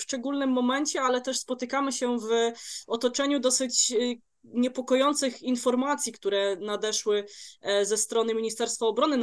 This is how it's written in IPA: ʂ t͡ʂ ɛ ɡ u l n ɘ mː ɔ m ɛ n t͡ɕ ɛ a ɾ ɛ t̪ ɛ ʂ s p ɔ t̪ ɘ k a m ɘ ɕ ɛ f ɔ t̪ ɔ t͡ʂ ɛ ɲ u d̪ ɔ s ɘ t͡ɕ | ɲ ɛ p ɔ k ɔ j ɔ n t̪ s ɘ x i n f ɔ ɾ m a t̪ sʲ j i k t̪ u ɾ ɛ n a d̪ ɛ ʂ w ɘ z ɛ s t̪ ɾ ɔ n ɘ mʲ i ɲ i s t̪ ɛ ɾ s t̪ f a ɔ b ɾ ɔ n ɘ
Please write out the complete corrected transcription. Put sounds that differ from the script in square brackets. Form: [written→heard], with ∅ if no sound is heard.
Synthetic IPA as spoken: ʂ t͡ʂ ɛ ɡ u l n ɘ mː ɔ m ɛ n t͡ɕ ɛ a [ɾ→l] ɛ t̪ ɛ ʂ s p ɔ t̪ ɘ k a m ɘ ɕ ɛ [f→v] ɔ t̪ ɔ t͡ʂ ɛ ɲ u d̪ ɔ s ɘ t͡ɕ | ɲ ɛ p ɔ k ɔ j ɔ n t̪ s ɘ x i n f ɔ ɾ m a t̪ sʲ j i k t̪ u ɾ ɛ n a d̪ ɛ ʂ w ɘ z ɛ s t̪ ɾ ɔ n ɘ mʲ i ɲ i s t̪ ɛ ɾ s t̪ f a ɔ b ɾ ɔ n ɘ